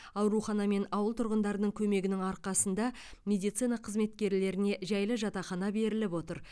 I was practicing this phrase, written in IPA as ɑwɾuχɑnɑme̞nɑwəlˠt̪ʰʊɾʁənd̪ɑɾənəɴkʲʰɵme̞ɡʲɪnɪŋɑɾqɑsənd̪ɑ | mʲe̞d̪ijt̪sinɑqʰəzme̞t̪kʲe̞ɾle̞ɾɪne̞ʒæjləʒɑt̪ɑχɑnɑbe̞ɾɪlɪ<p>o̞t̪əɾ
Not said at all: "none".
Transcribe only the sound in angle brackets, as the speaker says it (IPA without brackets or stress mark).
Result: p